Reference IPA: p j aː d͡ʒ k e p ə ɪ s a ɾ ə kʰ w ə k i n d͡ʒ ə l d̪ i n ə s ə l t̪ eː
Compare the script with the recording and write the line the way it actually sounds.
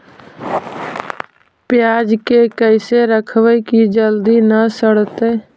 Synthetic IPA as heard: p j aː d͡ʒ k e k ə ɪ s e ɾ ə kʰ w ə k i d͡ʒ ə l d̪ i n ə s ə ɽ t̪ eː